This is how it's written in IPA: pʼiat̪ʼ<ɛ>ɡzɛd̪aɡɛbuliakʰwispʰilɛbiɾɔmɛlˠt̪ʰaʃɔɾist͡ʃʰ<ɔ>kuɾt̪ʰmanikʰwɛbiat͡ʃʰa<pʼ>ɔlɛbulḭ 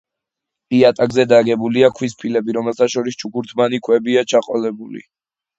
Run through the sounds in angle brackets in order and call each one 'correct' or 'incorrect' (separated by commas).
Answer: incorrect, incorrect, incorrect